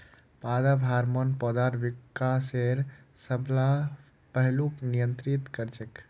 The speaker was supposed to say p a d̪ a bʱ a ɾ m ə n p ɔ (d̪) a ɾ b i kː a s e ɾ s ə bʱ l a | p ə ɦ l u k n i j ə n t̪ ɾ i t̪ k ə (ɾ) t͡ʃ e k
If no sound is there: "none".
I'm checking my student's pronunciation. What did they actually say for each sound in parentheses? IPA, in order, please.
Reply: d̪, ɾ

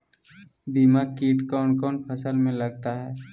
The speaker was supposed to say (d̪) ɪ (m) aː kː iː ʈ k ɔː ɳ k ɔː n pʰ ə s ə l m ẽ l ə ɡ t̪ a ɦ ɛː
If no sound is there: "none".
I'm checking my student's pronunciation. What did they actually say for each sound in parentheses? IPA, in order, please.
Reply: d̪, m

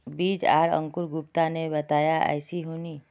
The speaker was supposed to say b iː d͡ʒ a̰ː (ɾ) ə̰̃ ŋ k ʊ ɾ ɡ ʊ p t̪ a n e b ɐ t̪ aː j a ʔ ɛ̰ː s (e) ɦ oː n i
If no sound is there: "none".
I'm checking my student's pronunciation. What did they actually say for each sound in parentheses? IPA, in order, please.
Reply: ɾ, i

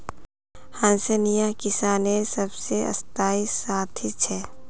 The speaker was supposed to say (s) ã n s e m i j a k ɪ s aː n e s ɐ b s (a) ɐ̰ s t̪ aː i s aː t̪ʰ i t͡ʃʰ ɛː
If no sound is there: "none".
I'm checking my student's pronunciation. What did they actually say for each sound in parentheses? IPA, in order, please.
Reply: h, e

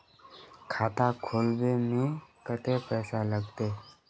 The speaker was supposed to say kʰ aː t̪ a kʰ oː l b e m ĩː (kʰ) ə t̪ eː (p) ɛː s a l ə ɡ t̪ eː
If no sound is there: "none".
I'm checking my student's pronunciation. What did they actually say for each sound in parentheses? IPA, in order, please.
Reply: k, p

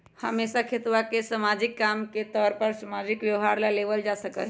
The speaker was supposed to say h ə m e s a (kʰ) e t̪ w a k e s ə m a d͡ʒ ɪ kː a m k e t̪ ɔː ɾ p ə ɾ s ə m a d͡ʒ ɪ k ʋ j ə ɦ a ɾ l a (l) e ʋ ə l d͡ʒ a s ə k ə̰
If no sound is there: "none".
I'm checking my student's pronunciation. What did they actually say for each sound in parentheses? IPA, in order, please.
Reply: kʰ, l

